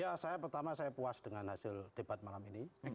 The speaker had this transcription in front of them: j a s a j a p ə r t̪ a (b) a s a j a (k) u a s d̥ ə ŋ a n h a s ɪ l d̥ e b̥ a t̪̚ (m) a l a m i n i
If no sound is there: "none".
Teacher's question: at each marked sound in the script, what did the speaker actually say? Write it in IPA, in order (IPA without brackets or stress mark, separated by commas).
m, p, m